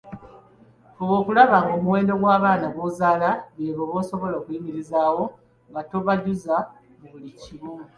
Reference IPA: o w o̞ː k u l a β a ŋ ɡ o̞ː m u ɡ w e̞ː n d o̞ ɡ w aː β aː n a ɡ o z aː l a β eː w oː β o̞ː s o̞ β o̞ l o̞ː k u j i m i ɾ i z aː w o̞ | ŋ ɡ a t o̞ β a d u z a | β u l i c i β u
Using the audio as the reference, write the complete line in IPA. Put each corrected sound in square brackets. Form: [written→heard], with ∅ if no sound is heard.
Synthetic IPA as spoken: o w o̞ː k u l a β a ŋ ɡ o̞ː m u [ɡ→∅] w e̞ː n d o̞ ɡ w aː β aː n a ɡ o z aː l a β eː [w→β] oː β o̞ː s o̞ β o̞ l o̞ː k u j i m i ɾ i z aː w o̞ | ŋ ɡ a t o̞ β a [d→ɟ] u z a | β u l i c i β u